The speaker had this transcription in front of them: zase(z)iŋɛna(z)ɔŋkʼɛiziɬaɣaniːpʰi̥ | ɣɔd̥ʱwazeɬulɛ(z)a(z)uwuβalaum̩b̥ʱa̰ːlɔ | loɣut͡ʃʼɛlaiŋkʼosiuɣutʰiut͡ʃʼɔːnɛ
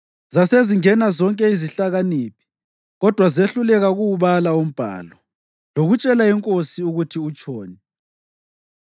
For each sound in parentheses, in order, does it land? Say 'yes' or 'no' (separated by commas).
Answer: yes, yes, no, no